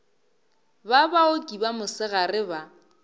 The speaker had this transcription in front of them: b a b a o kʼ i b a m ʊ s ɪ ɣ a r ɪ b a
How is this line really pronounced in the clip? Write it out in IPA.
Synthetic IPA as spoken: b a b a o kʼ i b a m ʊ s ɪ ɣ a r ɪ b a